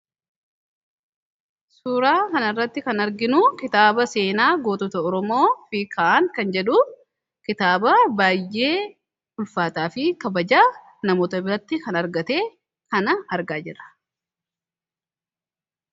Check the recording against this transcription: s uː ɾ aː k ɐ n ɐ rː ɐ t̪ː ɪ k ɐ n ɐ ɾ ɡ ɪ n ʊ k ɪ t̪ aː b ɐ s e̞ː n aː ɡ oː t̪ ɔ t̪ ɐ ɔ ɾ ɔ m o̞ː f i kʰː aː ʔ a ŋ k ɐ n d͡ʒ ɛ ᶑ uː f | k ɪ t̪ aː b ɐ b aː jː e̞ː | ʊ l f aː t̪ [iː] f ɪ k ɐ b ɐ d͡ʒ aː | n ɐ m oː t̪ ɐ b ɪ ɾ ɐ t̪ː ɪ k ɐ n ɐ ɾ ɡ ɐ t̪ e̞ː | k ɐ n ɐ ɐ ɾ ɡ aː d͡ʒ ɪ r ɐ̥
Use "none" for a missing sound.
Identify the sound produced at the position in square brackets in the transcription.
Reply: aː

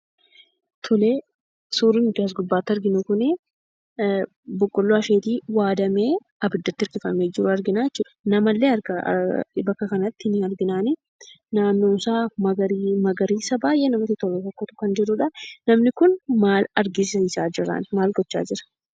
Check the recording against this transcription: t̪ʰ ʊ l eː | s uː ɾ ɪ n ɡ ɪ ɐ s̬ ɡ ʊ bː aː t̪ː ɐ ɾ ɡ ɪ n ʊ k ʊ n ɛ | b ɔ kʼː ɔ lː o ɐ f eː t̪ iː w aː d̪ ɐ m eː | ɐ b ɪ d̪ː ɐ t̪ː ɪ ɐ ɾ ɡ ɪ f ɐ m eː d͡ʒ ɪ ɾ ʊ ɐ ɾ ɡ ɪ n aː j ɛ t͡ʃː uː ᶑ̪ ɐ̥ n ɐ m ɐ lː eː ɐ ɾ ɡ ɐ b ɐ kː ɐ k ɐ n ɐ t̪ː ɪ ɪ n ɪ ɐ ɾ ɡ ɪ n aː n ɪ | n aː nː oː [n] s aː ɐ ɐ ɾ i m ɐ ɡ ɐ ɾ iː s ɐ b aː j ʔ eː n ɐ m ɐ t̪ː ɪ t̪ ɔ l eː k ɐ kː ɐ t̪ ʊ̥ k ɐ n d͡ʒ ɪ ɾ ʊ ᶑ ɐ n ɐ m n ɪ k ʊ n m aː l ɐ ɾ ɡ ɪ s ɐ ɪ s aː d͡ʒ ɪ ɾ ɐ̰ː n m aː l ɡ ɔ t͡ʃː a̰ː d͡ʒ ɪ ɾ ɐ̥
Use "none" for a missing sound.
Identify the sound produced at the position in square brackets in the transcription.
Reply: n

